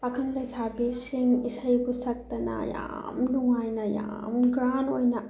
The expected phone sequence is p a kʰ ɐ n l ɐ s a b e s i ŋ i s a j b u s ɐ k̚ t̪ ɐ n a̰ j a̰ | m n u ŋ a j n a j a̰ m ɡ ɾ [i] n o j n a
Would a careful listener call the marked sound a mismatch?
yes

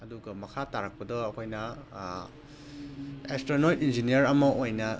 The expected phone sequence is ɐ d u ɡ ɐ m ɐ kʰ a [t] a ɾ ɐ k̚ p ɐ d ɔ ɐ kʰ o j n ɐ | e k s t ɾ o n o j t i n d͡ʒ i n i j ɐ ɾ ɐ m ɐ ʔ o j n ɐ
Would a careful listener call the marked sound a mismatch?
no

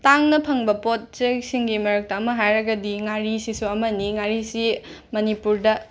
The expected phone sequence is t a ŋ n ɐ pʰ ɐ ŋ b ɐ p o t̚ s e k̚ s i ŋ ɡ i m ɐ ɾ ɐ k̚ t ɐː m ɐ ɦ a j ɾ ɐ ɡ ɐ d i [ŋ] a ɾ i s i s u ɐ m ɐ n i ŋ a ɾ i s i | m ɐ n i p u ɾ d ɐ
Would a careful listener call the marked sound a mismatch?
no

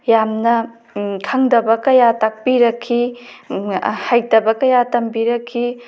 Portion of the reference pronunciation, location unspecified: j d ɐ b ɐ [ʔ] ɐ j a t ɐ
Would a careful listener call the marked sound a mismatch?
yes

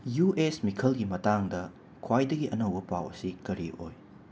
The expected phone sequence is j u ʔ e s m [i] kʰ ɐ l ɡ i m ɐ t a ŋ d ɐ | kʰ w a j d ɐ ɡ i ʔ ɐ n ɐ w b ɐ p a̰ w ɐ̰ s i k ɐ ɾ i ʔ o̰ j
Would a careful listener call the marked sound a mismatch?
no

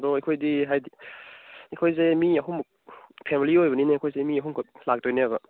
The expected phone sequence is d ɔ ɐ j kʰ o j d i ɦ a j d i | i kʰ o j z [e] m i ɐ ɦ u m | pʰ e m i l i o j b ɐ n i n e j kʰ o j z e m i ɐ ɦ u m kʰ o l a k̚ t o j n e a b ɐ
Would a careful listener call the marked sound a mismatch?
no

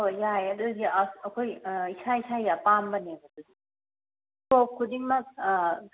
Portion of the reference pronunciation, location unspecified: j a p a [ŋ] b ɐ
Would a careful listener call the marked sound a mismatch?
yes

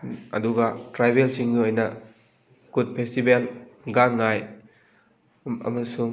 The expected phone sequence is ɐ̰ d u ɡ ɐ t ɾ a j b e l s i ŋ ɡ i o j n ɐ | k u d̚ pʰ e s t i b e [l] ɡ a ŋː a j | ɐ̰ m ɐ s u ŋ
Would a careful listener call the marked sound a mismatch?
no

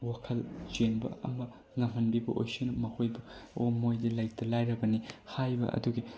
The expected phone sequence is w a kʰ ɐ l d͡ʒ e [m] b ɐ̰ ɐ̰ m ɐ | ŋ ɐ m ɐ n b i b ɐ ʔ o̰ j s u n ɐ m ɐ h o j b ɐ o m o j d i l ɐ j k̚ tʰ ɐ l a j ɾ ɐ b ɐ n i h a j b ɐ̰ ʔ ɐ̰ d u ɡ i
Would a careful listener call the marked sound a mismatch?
yes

